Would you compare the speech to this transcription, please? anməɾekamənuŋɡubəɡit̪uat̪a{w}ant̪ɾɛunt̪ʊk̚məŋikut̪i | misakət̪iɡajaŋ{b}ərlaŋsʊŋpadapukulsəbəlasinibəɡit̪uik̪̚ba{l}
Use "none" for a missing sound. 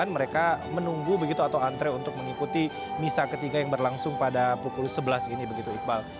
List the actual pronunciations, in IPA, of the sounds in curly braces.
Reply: w, b, l

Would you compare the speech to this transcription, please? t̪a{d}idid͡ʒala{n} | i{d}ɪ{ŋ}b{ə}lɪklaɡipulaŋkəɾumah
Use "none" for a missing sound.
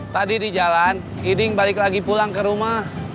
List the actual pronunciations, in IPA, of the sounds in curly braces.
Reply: d, n, d, ŋ, a

